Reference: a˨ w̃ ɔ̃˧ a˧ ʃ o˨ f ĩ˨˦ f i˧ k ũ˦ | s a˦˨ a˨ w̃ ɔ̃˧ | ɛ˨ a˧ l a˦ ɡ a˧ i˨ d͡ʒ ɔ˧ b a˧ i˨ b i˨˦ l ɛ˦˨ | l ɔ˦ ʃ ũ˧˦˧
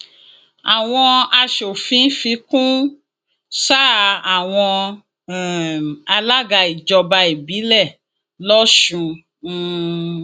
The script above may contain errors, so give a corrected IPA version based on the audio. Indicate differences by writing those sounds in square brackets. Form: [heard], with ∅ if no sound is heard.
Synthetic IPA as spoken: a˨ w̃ ɔ̃˧ a˧ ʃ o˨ f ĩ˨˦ f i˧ k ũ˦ | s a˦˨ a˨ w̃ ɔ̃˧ | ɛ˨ a˧ l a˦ ɡ a˧ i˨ d͡ʒ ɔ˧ b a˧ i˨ b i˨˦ l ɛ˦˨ | l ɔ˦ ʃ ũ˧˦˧